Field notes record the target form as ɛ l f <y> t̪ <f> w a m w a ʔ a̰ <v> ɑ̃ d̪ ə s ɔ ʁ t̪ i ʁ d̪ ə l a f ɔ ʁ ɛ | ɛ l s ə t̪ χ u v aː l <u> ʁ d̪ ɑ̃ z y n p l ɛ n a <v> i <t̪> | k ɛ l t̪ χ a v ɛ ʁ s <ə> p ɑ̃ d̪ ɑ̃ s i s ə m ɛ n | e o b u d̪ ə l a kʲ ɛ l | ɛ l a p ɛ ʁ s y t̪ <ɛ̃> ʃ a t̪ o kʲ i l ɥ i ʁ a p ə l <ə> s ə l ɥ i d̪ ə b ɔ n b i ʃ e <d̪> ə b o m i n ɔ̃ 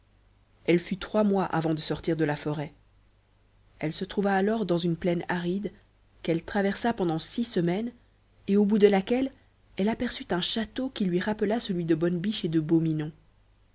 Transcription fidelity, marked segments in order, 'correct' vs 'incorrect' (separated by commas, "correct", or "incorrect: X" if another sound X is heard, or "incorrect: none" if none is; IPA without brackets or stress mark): correct, incorrect: χ, correct, incorrect: ɔ, incorrect: ʁ, incorrect: d̪, incorrect: a, correct, incorrect: a, correct